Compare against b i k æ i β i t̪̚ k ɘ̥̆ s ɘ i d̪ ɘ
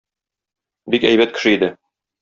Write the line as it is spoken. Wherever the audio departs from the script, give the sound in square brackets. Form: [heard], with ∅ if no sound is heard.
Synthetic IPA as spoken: b i k æ [j] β [æ] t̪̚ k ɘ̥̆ [ʃ] ɘ i d̪ ɘ